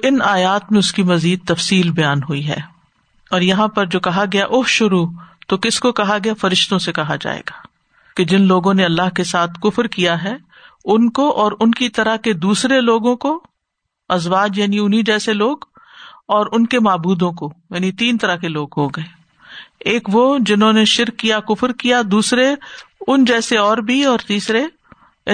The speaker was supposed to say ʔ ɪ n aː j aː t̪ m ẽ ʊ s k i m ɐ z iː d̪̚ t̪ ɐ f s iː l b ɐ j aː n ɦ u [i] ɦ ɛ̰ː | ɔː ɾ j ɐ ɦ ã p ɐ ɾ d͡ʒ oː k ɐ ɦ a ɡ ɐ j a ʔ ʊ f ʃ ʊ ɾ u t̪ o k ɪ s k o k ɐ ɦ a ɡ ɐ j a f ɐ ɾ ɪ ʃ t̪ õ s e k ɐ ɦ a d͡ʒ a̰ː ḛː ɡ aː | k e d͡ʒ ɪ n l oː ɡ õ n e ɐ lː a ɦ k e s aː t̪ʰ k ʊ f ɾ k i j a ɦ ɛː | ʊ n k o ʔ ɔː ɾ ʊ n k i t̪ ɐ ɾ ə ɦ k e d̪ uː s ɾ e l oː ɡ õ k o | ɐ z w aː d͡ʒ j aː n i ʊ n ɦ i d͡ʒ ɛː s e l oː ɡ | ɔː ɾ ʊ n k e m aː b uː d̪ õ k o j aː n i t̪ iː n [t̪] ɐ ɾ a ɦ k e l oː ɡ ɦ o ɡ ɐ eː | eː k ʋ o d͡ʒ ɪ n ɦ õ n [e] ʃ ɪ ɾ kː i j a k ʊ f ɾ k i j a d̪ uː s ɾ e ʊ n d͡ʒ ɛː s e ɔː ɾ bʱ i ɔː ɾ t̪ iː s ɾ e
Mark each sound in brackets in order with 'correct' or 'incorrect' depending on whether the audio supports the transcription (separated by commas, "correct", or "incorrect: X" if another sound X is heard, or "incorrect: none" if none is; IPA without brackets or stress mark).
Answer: correct, correct, correct